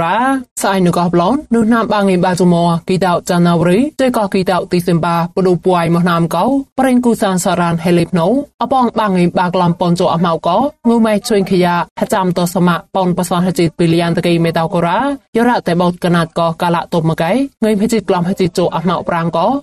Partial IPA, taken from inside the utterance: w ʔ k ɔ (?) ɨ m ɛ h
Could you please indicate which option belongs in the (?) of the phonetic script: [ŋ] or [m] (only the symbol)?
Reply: ŋ